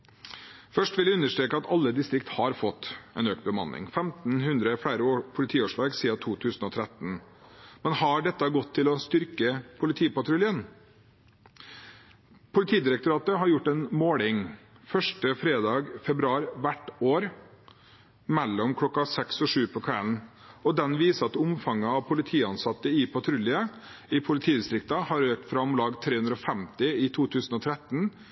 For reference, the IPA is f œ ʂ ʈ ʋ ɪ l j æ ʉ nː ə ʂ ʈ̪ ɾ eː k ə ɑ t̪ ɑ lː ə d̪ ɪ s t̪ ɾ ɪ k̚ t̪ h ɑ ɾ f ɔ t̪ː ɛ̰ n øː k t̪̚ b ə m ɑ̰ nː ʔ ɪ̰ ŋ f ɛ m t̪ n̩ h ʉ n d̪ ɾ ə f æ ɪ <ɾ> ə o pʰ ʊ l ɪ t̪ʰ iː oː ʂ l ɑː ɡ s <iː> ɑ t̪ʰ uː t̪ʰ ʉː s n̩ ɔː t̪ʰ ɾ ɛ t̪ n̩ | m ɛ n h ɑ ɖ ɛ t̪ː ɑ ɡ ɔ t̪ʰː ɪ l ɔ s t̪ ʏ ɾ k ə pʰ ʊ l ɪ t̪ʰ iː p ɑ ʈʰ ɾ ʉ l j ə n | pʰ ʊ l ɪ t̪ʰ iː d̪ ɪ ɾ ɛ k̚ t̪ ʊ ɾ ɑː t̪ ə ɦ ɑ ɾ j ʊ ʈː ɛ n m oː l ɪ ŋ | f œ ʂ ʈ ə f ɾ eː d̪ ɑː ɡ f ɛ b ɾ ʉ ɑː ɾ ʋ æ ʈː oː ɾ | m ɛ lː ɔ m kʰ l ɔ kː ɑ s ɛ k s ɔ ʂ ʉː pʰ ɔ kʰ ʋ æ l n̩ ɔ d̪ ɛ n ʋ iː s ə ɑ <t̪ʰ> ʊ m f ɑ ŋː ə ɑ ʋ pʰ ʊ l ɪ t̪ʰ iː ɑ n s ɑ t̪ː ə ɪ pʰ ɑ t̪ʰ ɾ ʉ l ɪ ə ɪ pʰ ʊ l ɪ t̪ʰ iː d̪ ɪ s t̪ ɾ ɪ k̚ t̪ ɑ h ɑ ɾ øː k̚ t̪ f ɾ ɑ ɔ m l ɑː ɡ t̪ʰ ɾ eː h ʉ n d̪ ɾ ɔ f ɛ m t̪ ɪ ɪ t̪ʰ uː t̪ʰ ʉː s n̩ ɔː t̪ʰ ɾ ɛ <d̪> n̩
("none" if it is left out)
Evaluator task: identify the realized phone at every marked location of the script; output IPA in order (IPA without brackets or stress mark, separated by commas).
ɾ, iː, t̪, t̪